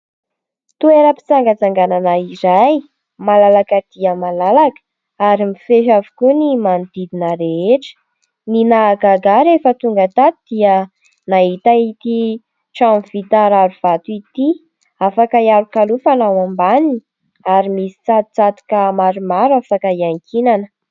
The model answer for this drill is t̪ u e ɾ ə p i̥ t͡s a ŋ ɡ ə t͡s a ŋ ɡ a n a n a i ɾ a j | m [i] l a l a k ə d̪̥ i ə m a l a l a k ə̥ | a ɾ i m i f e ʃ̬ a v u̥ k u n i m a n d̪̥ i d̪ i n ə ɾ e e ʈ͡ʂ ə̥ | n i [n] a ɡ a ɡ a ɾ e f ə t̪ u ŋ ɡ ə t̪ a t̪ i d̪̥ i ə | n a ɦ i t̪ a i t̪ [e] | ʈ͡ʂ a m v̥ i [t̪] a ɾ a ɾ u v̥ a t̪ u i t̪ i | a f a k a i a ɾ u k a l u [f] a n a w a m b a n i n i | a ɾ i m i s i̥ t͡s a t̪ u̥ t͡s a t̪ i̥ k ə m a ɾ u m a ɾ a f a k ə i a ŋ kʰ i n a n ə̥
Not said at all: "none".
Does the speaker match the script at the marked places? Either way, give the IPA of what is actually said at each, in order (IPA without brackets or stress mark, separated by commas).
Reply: a, n, i, t̪, f